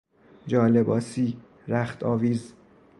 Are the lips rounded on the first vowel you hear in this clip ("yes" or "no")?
yes